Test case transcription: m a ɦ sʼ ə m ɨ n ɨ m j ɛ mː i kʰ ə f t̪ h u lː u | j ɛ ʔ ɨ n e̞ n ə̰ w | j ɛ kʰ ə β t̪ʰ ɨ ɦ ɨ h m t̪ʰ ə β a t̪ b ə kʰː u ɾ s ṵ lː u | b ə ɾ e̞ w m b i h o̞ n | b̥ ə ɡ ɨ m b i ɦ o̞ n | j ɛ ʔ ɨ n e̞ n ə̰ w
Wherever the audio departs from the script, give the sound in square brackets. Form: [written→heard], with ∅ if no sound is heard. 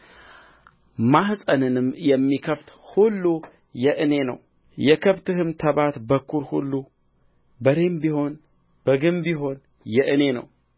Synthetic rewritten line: m a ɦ sʼ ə [m→n] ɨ n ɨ m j ɛ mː i kʰ ə f t̪ h u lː u | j ɛ ʔ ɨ n e̞ n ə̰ w | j ɛ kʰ ə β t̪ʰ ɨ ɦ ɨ [h→∅] m t̪ʰ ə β a t̪ b ə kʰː u ɾ [s→h] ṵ lː u | b ə ɾ e̞ [w→∅] m b i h o̞ n | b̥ ə ɡ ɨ m b i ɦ o̞ n | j ɛ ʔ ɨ n e̞ n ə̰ w